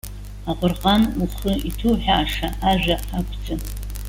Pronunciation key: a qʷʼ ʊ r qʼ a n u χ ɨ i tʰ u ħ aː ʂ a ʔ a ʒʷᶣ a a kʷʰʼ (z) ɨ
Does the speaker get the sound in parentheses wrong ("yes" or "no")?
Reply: yes